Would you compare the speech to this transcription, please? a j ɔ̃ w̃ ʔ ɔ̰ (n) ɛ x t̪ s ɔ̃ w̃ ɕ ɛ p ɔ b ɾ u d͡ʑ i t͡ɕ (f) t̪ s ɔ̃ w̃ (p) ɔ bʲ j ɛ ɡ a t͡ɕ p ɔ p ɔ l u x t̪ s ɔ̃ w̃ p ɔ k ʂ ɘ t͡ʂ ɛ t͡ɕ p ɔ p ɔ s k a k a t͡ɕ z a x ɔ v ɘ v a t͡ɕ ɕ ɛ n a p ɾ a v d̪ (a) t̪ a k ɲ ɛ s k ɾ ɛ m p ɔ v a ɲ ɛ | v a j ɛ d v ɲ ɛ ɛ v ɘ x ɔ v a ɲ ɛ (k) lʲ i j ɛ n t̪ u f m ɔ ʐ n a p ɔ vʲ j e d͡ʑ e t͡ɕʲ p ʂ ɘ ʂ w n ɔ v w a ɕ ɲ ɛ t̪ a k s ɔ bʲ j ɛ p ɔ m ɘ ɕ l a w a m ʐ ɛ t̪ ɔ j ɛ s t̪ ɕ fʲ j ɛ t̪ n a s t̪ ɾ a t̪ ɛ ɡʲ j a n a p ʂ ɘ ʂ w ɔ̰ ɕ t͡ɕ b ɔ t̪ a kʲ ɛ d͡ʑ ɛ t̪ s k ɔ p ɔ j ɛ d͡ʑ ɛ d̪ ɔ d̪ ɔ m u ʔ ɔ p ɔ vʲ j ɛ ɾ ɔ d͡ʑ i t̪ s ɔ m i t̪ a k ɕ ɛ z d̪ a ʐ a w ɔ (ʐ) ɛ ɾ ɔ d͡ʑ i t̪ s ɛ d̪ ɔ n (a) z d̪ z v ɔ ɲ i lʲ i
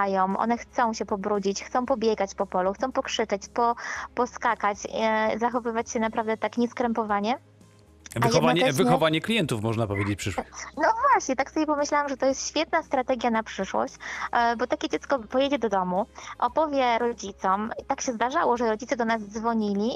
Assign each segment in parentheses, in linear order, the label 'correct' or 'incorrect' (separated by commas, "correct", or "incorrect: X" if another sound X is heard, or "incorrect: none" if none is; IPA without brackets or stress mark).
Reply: correct, incorrect: x, correct, incorrect: ɛ, correct, correct, correct